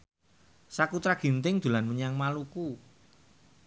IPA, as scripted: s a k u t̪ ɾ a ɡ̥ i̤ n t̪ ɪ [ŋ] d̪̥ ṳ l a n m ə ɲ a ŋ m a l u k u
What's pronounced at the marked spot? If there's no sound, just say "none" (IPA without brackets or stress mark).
ŋ